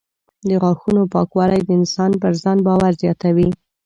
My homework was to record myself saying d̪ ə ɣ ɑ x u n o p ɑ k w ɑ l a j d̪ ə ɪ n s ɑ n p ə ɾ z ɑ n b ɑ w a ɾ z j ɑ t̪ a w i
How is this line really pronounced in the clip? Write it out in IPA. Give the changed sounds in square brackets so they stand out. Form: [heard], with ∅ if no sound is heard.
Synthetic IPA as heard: d̪ ə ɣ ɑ x u n o p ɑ k w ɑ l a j d̪ ə ɪ n s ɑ n p ə ɾ z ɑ n b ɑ w a ɾ z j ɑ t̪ a w i